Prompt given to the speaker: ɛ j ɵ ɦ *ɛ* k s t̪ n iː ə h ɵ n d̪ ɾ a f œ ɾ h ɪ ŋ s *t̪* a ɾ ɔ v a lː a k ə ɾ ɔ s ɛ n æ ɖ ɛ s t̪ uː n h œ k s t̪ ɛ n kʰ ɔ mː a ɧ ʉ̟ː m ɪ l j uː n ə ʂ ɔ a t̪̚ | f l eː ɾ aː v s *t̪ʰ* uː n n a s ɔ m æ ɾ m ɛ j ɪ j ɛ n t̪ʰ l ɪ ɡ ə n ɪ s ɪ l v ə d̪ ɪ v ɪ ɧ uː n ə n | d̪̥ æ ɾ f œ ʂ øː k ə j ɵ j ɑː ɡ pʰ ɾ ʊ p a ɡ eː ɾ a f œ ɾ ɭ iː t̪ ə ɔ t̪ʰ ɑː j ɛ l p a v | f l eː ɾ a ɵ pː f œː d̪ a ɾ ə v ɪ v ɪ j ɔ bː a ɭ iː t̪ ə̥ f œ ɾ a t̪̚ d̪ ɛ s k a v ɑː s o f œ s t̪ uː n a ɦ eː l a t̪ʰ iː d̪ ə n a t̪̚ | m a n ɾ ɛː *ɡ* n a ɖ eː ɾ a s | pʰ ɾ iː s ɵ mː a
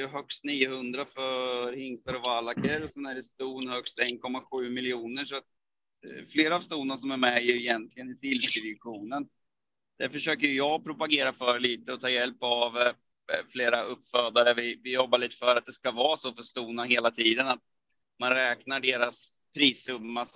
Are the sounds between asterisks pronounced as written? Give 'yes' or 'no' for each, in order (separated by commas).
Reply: no, yes, no, no